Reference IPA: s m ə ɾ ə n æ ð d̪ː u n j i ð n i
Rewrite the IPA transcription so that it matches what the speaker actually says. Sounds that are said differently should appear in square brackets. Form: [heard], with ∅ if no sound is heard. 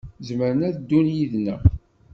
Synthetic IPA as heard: [z] m ə ɾ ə n æ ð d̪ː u n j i ð n [æ]